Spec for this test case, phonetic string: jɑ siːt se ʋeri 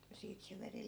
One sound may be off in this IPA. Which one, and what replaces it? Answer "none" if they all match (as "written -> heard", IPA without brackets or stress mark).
none